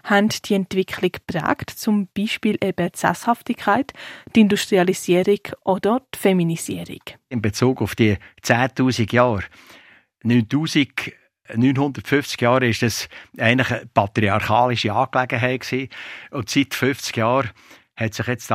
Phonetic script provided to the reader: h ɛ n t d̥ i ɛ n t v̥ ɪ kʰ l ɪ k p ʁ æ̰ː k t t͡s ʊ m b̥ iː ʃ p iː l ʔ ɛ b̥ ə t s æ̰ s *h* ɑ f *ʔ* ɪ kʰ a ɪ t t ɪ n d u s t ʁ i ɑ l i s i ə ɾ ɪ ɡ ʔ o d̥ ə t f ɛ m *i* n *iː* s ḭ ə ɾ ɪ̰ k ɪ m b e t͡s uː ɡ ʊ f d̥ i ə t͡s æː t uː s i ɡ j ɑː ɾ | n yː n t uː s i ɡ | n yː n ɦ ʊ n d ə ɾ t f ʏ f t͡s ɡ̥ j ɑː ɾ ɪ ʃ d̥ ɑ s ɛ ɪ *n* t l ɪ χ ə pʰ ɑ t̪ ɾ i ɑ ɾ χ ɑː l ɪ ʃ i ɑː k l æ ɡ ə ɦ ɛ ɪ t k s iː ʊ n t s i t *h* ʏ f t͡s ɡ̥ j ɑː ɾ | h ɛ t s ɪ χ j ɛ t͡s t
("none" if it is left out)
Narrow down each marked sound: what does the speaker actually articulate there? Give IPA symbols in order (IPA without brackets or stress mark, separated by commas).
h, t, i, i, n, f